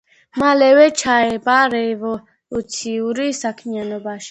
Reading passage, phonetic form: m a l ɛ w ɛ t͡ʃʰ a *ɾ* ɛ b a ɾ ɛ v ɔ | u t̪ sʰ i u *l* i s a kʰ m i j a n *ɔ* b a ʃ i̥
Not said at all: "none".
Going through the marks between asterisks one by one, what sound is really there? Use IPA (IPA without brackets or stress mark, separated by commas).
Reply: none, ɾ, ɔ